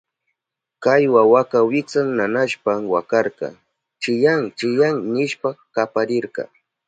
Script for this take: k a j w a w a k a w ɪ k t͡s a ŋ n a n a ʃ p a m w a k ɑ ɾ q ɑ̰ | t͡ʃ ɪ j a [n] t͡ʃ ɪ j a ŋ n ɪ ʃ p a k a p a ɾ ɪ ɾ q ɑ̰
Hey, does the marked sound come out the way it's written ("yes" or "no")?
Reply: no